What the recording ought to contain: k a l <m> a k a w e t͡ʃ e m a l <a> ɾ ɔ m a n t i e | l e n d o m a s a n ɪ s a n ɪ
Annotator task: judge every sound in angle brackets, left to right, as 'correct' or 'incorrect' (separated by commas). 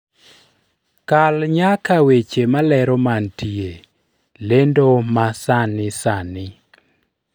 incorrect, incorrect